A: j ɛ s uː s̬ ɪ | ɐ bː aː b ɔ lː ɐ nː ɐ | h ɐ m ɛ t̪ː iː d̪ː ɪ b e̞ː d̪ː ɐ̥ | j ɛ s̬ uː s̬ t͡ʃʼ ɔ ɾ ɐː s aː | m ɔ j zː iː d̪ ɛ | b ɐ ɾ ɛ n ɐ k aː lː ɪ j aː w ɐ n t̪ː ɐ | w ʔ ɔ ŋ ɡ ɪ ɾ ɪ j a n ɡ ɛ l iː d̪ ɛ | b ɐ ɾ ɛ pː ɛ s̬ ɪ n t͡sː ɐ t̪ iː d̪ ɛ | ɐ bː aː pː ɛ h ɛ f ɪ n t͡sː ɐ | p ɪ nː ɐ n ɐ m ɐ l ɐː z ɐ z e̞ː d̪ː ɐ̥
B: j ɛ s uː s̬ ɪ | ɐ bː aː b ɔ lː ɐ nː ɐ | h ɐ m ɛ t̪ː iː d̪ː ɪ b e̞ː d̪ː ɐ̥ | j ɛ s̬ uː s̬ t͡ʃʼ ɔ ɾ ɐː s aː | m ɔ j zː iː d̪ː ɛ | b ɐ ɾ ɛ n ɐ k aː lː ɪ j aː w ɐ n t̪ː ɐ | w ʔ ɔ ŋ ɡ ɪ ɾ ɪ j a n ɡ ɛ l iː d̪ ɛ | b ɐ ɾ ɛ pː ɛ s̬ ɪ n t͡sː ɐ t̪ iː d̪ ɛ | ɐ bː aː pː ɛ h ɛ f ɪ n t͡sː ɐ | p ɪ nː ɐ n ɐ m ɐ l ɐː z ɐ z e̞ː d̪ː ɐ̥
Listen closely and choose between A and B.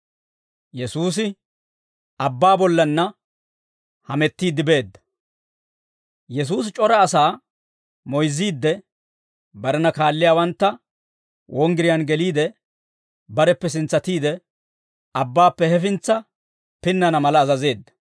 B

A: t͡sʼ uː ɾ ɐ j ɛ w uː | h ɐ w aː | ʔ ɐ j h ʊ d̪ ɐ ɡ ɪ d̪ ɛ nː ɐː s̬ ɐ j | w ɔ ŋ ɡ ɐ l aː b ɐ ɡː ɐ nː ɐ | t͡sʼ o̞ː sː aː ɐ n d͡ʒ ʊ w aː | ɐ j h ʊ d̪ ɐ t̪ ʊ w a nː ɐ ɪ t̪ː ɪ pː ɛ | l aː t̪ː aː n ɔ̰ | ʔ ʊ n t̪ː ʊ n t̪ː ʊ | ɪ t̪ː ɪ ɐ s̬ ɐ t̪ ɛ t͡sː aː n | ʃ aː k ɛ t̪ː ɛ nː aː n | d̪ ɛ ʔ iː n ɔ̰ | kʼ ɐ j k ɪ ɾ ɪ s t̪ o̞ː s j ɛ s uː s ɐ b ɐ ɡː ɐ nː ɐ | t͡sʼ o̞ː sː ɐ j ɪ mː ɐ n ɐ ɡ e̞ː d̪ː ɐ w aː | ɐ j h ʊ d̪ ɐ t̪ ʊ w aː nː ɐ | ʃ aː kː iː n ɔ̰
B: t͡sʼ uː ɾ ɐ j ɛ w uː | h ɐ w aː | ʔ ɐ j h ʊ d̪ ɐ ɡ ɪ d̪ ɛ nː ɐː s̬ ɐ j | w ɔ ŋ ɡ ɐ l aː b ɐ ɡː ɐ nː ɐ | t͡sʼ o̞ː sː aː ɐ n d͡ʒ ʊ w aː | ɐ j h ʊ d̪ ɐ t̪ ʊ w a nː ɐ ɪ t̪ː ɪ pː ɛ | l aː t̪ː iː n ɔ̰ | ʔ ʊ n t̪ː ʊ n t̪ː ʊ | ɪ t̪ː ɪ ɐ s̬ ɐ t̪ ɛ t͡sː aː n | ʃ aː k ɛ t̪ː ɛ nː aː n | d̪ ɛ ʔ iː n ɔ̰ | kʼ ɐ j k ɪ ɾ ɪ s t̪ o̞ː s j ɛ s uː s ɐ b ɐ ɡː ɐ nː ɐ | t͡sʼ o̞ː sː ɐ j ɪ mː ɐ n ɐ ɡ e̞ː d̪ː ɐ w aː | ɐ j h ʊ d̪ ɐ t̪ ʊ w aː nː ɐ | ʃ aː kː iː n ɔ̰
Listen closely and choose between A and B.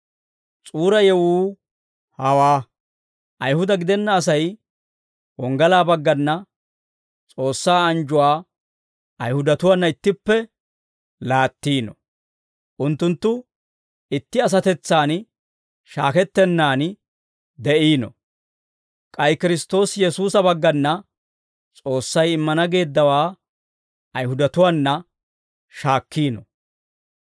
B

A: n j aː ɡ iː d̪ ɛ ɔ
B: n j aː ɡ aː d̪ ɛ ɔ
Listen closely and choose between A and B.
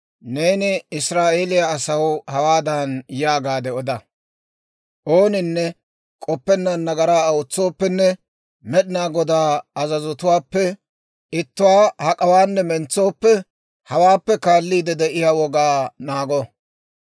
B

